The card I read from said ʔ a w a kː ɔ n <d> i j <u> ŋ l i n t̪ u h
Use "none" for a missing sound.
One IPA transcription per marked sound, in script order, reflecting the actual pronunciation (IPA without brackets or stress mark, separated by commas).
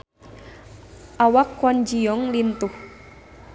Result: d͡ʒ, ɔ